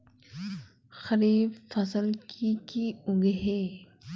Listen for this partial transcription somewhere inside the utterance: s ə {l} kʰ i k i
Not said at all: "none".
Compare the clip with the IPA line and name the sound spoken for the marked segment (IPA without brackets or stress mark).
l